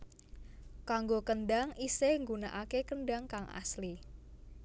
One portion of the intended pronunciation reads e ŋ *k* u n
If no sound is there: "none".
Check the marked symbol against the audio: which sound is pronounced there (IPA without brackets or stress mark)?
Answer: ɡ